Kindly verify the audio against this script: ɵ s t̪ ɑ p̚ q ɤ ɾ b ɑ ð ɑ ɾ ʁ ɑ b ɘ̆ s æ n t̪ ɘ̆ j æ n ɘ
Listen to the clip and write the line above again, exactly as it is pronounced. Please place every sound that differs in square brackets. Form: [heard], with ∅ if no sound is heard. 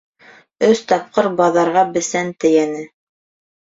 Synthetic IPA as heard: ɵ s t̪ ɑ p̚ q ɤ ɾ b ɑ ð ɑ ɾ ʁ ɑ b ɘ̆ s æ n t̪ ɘ̆ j æ n ɘ

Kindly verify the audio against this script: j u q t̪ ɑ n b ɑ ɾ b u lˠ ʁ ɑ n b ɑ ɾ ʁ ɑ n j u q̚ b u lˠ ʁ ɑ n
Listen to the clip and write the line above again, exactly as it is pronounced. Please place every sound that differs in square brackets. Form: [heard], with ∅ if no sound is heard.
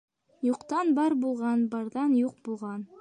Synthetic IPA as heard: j u q t̪ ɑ n b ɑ ɾ b u lˠ ʁ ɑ n b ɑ ɾ [ð] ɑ n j u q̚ b u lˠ ʁ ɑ n

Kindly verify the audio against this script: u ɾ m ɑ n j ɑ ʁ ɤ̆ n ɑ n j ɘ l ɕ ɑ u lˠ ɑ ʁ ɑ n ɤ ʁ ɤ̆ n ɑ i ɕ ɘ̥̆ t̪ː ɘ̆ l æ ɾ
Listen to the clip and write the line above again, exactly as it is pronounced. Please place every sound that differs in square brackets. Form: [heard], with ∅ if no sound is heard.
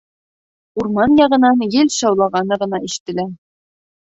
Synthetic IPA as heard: u ɾ m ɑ n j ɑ ʁ ɤ̆ n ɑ n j ɘ l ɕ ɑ [w] lˠ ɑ ʁ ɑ n ɤ ʁ ɤ̆ n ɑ i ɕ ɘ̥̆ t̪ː ɘ̆ l æ ɾ

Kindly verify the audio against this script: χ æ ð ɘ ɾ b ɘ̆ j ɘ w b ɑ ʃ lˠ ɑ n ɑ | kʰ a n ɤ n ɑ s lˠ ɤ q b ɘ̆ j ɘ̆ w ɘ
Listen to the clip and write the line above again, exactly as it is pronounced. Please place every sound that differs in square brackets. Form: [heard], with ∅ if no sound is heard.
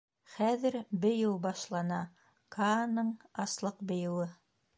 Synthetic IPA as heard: χ æ ð ɘ ɾ b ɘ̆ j ɘ w b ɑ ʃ lˠ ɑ n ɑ | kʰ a n ɤ [ɴ] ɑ s lˠ ɤ q b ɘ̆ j ɘ̆ w ɘ

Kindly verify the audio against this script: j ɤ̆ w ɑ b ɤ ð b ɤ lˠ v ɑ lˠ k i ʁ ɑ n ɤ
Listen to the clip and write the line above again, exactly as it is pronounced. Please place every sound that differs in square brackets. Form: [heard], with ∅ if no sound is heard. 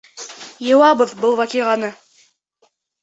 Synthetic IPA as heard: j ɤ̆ w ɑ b ɤ ð b ɤ lˠ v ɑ [∅] k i ʁ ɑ n ɤ

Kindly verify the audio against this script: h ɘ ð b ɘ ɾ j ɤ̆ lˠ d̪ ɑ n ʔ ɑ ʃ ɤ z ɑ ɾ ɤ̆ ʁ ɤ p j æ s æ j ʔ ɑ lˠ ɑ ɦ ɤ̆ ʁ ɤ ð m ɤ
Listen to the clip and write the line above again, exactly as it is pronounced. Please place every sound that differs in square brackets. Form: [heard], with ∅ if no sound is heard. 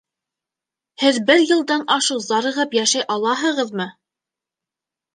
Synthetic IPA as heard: h ɘ ð b ɘ ɾ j ɤ̆ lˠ d̪ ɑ n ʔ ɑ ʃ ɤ z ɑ ɾ ɤ̆ ʁ ɤ p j æ [ʃ] æ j ʔ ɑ lˠ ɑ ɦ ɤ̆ ʁ ɤ ð m ɤ

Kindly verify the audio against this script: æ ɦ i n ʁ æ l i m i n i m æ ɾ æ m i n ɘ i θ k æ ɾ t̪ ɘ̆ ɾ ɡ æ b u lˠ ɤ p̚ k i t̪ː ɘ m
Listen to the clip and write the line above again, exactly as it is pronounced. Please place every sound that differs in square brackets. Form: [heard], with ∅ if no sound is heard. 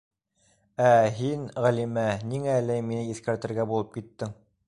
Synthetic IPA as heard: æ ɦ i n ʁ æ l i m [æ] n i [ŋ] æ [l] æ m i n ɘ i θ k æ ɾ t̪ ɘ̆ ɾ ɡ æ b u lˠ ɤ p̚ k i t̪ː ɘ [ŋ]

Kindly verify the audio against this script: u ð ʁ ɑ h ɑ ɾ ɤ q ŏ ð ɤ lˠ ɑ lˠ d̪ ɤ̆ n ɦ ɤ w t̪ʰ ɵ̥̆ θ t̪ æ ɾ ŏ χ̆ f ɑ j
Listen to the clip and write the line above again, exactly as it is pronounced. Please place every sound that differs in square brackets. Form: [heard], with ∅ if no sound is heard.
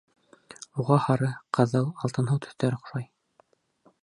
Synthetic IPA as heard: u [∅] ʁ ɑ h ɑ ɾ ɤ q [ɤ̆] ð ɤ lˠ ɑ lˠ [t̪] ɤ̆ n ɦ ɤ w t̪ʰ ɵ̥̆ θ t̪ æ ɾ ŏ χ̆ [ʃ] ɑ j

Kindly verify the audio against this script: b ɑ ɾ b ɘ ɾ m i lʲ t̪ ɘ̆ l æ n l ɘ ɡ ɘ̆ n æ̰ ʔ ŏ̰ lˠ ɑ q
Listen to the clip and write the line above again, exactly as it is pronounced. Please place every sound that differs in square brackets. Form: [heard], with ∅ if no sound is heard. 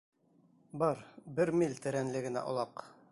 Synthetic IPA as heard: b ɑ ɾ b ɘ ɾ m i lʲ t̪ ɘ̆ [ɾ] æ n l ɘ ɡ ɘ̆ n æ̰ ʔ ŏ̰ lˠ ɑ q

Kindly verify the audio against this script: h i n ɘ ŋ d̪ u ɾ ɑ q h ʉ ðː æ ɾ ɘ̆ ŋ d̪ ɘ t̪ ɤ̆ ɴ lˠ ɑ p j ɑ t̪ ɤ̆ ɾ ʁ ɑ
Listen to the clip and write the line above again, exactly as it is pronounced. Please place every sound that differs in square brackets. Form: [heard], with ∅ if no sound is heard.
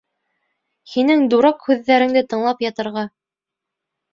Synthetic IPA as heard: h i n ɘ ŋ d̪ u ɾ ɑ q h ʉ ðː æ ɾ ɘ̆ ŋ d̪ ɘ t̪ ɤ̆ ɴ lˠ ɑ p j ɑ t̪ ɤ̆ ɾ ʁ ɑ

